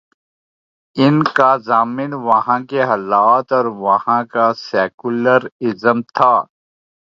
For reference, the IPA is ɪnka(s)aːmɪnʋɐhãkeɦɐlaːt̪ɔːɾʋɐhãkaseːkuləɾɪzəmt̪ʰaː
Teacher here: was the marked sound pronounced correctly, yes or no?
no